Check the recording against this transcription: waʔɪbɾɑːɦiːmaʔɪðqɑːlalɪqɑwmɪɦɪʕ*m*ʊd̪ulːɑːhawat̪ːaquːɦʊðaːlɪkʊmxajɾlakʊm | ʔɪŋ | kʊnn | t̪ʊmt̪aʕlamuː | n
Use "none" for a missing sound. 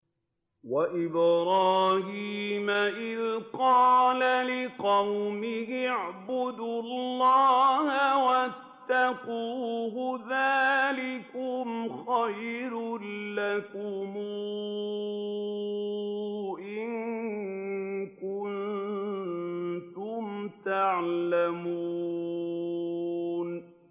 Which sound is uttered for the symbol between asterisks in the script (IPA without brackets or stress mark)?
b